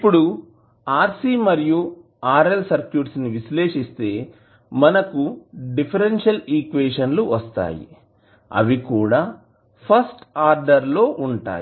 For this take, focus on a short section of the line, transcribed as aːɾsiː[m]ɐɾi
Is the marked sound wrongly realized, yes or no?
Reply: no